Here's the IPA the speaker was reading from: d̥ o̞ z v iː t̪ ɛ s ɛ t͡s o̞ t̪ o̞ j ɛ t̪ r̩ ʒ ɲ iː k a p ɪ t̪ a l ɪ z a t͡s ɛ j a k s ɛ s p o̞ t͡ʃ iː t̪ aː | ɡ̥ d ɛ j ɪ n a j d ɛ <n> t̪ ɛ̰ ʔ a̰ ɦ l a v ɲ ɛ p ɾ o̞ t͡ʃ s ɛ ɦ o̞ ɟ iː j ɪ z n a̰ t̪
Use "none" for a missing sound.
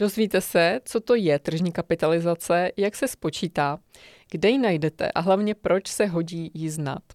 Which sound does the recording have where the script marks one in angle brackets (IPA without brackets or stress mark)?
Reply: none